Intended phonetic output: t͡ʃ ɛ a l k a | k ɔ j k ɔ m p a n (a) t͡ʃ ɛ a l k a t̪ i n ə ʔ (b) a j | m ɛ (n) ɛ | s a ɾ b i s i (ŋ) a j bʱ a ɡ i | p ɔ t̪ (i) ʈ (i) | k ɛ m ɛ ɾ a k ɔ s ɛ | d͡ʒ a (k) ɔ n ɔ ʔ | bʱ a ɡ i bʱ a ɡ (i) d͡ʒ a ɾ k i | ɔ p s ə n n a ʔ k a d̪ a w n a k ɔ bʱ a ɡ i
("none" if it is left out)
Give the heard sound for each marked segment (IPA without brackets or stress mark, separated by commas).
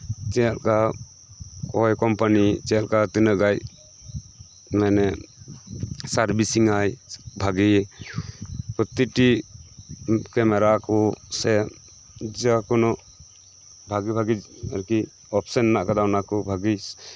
i, ɡ, n, ŋ, i, i, k, i